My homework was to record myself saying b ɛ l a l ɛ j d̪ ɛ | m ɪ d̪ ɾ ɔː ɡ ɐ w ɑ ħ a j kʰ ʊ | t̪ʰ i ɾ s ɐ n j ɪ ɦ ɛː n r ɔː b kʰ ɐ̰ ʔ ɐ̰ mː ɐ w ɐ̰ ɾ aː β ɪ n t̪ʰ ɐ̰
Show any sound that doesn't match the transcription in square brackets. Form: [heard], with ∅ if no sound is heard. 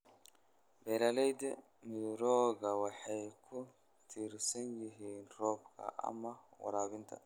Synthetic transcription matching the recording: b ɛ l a l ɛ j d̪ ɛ | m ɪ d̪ ɾ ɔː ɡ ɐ w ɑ ħ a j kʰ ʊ | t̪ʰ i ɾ s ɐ n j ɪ ɦ [iː] n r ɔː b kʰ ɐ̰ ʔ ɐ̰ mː ɐ w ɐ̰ ɾ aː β ɪ n t̪ʰ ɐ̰